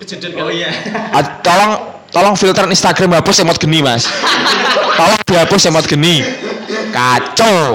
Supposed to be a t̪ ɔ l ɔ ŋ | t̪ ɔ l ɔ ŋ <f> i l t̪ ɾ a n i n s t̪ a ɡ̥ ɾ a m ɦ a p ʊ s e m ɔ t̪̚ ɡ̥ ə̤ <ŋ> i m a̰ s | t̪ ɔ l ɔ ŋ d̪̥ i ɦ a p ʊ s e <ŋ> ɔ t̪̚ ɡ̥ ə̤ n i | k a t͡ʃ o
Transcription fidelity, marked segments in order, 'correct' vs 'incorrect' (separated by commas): correct, incorrect, incorrect